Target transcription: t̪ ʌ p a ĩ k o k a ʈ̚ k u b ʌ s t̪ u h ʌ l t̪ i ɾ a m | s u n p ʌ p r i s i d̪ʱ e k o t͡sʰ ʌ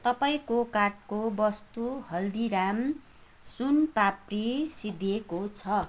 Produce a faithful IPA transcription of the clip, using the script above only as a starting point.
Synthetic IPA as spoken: t̪ ʌ p a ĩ k o k a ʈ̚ k o b ʌ s t̪ u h ʌ l d̪ i ɾ a m | s u n p a p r i s i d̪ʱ e k o t͡sʰ ʌ